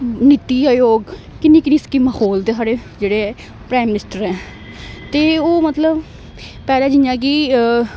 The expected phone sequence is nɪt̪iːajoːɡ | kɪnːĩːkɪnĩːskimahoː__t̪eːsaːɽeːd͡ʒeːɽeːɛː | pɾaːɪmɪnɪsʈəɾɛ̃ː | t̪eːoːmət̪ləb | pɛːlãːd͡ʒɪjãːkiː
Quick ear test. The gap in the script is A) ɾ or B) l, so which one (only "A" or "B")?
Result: B